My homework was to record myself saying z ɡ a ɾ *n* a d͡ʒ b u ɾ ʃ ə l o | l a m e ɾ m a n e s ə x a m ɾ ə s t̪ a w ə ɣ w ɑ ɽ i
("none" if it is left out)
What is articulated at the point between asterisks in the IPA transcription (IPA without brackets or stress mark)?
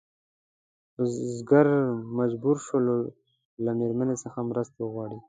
m